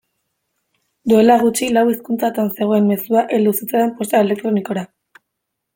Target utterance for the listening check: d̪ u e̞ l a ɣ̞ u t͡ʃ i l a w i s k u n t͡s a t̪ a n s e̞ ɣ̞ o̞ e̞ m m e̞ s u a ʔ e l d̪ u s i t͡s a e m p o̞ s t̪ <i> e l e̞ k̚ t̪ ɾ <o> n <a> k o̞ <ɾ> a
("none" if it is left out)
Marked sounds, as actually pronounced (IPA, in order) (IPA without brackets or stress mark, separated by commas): a, o, i, ɾ